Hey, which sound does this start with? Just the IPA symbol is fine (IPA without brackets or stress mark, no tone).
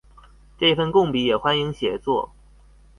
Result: ʈ͡ʂ